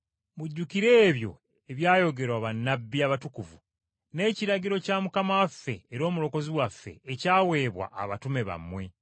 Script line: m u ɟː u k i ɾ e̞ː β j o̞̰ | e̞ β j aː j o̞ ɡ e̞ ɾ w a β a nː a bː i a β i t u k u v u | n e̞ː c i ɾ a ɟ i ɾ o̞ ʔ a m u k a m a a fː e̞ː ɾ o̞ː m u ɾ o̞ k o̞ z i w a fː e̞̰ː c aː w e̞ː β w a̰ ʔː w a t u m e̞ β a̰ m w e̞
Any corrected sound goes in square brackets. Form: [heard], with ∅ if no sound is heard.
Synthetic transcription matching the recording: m u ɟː u k i ɾ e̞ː β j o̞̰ | e̞ β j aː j o̞ ɡ e̞ ɾ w a β a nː a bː i a β [a] t u k u v u | n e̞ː c i ɾ a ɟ i ɾ o̞ [c] a m u k a m a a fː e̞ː ɾ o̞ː m u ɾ o̞ k o̞ z i w a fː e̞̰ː c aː w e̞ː β w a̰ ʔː [β] a t u m e̞ β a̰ m w e̞